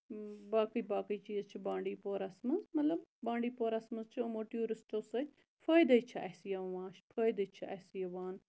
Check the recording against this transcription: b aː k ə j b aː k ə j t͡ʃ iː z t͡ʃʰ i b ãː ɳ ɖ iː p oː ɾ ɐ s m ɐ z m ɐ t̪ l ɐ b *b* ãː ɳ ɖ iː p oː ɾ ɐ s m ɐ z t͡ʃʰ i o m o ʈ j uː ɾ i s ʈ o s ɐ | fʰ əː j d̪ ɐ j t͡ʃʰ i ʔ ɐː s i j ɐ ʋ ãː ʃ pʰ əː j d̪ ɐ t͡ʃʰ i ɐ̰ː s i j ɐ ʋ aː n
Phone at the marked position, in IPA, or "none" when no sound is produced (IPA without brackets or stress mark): b